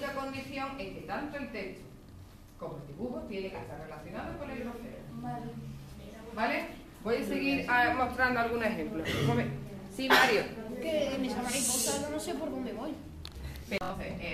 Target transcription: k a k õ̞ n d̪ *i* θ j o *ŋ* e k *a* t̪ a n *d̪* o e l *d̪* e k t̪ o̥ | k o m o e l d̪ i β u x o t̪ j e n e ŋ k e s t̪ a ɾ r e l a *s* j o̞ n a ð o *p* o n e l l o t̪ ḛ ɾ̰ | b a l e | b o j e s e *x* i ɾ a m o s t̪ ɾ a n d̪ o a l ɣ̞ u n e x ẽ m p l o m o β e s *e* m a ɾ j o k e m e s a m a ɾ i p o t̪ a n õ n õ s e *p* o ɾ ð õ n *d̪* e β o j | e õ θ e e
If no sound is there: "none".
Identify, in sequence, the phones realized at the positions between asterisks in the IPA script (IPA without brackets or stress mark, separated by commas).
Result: i, ŋ, e, t̪, t̪, θ, k, ɣ, i, p, d̪